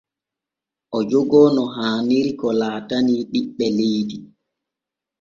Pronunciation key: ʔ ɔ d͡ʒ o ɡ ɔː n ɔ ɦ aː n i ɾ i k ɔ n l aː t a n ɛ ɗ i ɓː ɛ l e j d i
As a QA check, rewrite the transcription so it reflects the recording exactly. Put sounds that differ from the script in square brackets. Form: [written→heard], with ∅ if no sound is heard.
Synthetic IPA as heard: ʔ ɔ d͡ʒ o ɡ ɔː n ɔ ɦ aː n i ɾ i k ɔ [n→∅] l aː t a n [ɛ→i] ɗ i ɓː ɛ l e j d i

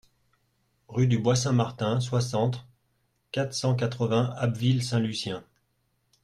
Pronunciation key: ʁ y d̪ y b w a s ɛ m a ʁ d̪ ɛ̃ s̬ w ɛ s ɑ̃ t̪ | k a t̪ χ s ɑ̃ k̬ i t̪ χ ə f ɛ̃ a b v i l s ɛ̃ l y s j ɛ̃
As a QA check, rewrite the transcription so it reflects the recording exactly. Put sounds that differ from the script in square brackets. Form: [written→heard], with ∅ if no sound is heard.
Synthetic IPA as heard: ʁ y d̪ y b w a s [ɛ→ɛ̃] m a ʁ [d̪→t̪] ɛ̃ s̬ w [ɛ→a] s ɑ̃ t̪ | k a t̪ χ s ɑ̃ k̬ [i→a] t̪ χ ə [f→v] ɛ̃ a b v i l s ɛ̃ l y s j ɛ̃

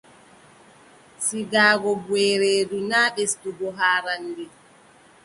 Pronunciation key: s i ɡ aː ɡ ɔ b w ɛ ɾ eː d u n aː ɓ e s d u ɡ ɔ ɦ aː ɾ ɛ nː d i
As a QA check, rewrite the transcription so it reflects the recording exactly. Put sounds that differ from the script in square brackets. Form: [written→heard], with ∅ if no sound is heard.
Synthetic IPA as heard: s i ɡ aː ɡ ɔ b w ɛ ɾ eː d u n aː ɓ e s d u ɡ ɔ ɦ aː ɾ [ɛ→a] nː d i

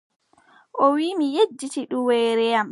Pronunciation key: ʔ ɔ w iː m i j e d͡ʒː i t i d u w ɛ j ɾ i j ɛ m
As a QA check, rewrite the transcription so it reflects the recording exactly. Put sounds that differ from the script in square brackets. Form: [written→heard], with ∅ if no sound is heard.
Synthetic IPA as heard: ʔ ɔ w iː m i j e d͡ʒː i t i [d→ɗ] u w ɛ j ɾ [i→ɛ] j [ɛ→a] m

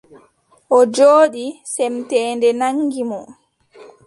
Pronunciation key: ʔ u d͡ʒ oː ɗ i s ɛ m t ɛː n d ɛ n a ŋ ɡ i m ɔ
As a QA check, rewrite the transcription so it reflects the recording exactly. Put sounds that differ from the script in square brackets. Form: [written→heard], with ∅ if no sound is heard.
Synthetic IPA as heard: ʔ [u→ɔ] d͡ʒ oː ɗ i s ɛ m t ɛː n d ɛ n a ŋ ɡ i m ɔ

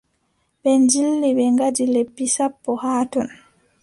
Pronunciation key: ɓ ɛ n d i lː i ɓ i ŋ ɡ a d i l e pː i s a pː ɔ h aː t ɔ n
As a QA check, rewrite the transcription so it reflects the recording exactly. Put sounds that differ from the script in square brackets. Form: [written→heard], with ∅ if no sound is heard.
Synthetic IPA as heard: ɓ ɛ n [d→d͡ʒ] i lː i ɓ [i→ɛ] ŋ ɡ a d i l e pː i s a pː ɔ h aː t ɔ n

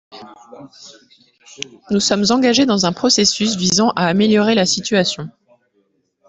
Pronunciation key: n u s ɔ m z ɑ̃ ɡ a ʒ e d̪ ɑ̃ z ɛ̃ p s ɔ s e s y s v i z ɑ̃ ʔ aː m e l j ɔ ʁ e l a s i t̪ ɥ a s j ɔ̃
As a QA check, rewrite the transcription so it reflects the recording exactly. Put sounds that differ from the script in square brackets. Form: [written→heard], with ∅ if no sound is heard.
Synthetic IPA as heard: n u s ɔ m z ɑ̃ ɡ a ʒ e d̪ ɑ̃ z ɛ̃ p [s→χ] ɔ s e s y s v i z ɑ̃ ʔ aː m e l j ɔ ʁ e l a s i t̪ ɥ a s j ɔ̃

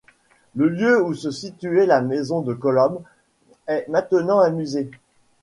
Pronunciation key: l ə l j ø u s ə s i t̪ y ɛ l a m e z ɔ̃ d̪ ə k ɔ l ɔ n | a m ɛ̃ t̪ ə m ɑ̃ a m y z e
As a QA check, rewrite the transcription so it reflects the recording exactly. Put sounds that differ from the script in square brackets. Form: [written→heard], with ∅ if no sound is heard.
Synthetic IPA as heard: l ə l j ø u s ə s i t̪ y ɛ l a m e z ɔ̃ d̪ ə k ɔ l ɔ [n→m] | [a→ɛ] m ɛ̃ t̪ ə [m→n] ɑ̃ a m y z e

